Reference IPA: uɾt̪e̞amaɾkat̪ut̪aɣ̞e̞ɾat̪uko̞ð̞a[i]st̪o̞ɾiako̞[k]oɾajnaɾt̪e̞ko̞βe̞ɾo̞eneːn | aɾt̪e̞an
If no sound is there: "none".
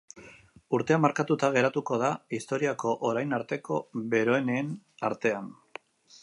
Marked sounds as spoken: i, ʔ

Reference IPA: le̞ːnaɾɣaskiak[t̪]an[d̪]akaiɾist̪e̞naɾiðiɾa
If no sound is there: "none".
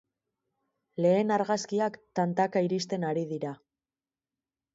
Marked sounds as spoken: t̪, t̪

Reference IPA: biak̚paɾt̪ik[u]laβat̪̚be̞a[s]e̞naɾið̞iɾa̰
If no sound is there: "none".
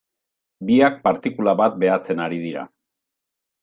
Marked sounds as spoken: u, t͡s

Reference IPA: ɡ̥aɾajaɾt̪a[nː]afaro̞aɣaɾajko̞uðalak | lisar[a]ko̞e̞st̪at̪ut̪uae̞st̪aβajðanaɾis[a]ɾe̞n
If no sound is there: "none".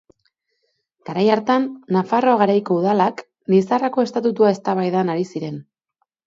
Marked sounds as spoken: nː, a, i

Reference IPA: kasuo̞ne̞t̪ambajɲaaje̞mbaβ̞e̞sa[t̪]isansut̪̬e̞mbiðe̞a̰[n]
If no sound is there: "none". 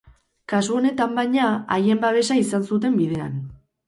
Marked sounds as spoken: none, n

